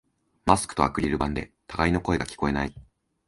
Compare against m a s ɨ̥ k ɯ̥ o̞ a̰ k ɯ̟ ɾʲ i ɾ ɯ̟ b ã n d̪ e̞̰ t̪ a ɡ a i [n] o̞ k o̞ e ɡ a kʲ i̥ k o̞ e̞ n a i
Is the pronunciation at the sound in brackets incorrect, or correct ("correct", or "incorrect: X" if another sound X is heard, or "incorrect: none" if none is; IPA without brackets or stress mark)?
correct